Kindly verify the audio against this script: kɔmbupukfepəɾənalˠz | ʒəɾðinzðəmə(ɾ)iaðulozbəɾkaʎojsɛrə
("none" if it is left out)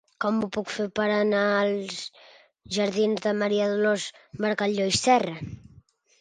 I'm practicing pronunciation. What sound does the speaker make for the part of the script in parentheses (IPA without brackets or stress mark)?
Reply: ɾ